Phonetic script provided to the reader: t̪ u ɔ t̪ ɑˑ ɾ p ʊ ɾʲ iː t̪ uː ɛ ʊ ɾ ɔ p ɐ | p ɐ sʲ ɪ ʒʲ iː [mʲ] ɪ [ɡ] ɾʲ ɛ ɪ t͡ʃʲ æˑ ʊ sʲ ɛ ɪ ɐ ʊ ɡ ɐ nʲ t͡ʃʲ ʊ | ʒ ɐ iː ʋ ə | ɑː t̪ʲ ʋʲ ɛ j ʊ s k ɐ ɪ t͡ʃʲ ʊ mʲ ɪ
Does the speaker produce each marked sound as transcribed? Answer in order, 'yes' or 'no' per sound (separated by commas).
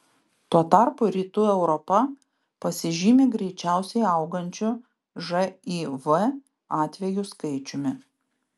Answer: yes, yes